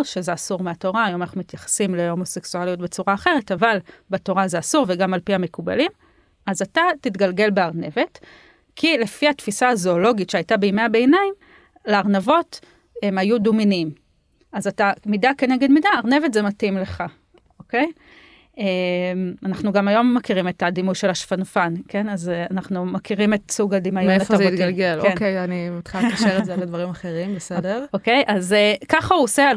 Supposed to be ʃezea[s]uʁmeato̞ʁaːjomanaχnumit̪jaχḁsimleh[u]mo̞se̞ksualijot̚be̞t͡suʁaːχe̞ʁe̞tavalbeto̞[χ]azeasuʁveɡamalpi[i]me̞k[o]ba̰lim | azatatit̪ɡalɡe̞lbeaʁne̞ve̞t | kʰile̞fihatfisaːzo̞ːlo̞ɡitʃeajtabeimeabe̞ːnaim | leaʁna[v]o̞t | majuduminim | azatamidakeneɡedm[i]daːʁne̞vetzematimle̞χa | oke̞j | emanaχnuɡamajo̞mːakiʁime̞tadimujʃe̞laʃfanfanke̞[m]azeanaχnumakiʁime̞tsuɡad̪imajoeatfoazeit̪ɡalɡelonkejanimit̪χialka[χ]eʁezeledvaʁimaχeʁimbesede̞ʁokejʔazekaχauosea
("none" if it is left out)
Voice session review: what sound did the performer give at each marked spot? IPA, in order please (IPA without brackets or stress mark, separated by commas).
s, o, ʁ, a, u, v, i, n, ʃ